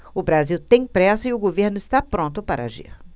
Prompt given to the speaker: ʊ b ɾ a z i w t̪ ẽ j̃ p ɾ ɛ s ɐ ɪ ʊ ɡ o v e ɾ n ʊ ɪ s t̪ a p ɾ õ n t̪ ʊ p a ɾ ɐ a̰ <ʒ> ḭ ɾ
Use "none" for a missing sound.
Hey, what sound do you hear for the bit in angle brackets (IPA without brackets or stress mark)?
ʒ